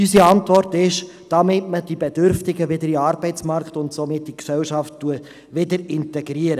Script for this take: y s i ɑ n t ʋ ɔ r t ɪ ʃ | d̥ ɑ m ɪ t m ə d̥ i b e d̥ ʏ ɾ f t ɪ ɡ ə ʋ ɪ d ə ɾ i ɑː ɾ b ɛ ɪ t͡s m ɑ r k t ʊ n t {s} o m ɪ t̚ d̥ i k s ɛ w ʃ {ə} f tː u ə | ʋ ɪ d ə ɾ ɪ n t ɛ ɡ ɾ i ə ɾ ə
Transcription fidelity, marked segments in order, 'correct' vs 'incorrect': correct, incorrect

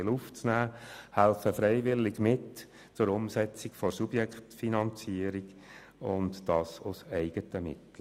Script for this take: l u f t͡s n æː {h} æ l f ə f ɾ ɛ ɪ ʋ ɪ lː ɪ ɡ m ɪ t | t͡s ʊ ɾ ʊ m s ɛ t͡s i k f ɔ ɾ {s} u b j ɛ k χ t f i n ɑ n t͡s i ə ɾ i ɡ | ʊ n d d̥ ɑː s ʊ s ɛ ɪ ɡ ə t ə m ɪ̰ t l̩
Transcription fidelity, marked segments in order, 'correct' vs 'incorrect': correct, correct

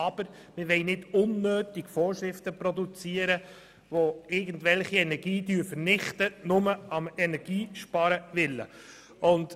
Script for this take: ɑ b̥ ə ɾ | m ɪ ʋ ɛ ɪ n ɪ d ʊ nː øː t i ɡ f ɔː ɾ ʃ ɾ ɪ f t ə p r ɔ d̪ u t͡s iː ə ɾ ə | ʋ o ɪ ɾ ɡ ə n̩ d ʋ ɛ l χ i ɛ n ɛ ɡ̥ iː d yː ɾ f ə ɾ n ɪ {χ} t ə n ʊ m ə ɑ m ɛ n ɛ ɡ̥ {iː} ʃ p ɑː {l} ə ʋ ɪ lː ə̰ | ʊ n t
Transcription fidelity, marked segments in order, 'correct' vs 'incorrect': correct, correct, incorrect

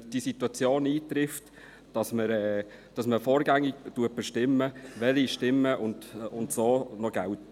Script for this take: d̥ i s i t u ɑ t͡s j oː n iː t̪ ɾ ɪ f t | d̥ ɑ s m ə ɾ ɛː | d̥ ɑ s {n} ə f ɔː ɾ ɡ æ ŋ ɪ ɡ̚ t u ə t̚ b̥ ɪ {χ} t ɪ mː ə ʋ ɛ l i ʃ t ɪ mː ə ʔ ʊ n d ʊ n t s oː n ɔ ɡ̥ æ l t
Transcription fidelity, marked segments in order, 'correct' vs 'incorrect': incorrect, incorrect

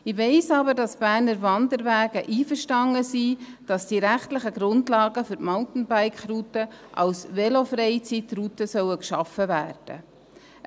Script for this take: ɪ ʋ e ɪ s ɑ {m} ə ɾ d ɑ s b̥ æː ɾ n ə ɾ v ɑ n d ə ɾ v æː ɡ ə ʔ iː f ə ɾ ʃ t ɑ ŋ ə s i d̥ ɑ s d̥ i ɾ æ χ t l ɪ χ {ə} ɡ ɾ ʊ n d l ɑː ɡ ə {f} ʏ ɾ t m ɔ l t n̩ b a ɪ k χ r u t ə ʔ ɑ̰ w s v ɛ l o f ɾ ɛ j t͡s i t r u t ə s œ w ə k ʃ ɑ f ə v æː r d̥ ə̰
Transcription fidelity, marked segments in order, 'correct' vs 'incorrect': incorrect, correct, correct

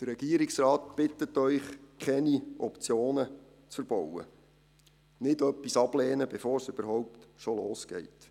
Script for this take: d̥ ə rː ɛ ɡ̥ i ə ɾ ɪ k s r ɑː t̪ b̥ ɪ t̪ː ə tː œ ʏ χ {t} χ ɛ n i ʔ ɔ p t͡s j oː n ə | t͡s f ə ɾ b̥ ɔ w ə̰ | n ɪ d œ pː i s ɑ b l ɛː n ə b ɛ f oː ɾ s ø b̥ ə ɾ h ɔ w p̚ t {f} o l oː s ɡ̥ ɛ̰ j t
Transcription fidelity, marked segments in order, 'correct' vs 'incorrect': incorrect, incorrect

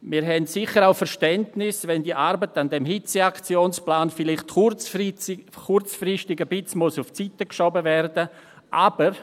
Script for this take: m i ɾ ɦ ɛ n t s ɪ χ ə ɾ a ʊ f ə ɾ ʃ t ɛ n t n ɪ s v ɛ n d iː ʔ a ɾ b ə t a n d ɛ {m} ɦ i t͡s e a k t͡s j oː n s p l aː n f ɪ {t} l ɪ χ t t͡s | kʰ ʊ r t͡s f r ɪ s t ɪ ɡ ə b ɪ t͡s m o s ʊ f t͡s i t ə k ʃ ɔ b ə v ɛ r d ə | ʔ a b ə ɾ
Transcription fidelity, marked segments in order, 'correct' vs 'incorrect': correct, incorrect

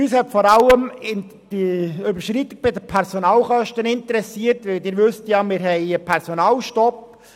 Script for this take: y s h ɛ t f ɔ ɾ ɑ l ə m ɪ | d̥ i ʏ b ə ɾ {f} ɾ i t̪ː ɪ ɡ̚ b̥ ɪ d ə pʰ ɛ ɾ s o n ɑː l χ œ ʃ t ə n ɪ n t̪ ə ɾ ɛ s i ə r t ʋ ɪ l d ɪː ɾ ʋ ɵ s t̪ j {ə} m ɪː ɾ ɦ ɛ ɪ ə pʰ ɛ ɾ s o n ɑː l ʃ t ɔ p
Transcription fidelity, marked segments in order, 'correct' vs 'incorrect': incorrect, incorrect

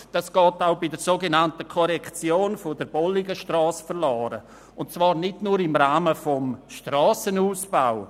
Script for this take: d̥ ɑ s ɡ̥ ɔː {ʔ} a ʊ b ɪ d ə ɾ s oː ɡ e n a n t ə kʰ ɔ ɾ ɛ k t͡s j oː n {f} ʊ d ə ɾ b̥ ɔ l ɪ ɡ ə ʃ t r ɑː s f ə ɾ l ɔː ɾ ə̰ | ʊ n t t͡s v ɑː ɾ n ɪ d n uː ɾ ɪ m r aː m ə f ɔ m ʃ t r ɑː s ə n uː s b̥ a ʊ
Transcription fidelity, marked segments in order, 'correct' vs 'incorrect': incorrect, correct

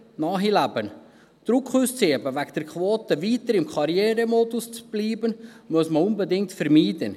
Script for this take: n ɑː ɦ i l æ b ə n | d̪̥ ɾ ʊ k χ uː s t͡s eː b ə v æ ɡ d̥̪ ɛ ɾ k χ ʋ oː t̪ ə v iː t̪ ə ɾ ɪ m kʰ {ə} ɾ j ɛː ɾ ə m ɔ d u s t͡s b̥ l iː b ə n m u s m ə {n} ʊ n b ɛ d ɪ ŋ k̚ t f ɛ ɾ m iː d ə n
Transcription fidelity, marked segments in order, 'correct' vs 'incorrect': incorrect, incorrect

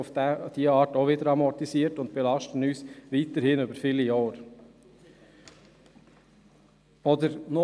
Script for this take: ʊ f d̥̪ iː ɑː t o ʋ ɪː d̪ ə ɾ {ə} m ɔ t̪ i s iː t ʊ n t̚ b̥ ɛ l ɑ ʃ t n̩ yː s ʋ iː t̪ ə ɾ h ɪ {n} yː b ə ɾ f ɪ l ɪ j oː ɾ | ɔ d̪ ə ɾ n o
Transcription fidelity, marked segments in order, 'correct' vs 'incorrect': incorrect, correct

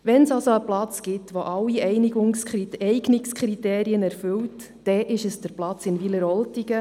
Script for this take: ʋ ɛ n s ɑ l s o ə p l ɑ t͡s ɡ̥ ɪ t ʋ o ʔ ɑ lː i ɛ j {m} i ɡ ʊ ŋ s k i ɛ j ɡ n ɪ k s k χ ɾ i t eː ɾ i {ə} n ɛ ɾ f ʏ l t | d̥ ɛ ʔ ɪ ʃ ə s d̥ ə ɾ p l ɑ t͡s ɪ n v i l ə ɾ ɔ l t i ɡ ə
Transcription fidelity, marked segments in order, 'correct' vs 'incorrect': incorrect, correct

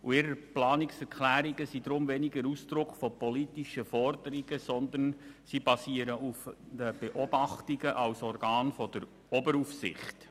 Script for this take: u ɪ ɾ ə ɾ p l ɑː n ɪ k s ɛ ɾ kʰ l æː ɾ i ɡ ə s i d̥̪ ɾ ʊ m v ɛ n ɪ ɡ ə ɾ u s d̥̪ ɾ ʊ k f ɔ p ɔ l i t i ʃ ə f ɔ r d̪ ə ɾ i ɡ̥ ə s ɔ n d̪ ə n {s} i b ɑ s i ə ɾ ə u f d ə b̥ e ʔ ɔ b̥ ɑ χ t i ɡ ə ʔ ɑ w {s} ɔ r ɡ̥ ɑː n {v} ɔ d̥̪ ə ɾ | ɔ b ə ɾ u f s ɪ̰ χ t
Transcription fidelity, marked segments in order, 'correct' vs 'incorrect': correct, correct, incorrect

